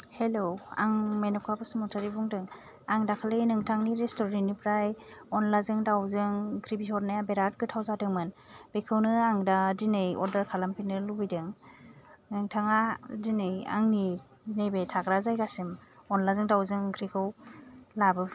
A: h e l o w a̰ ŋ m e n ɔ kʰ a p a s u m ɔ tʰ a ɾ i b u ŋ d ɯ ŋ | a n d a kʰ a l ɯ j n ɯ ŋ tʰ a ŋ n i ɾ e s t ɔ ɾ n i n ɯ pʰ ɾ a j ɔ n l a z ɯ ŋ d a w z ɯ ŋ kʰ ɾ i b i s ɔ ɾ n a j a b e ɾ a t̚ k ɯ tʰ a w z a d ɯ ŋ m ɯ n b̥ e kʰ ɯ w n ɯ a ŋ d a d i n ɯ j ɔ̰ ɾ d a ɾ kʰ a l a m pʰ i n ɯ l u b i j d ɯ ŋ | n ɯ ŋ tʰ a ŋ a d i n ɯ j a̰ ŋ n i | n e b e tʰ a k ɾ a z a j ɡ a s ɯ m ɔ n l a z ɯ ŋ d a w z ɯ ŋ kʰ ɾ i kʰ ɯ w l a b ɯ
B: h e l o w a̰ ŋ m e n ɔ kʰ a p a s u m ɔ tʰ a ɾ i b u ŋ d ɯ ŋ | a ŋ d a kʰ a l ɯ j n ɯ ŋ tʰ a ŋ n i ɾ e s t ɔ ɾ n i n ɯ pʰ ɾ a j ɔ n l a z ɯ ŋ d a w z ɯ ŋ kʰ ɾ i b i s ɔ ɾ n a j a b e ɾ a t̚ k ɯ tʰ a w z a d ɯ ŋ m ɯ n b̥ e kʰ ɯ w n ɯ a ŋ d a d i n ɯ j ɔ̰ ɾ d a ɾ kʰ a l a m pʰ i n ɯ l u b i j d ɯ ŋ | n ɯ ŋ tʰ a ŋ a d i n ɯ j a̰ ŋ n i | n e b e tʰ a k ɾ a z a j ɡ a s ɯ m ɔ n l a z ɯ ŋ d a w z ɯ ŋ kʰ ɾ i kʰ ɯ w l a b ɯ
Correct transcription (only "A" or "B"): B